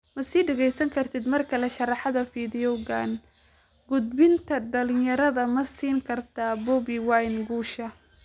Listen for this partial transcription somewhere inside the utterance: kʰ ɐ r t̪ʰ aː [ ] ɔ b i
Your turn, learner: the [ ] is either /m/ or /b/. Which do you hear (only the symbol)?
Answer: b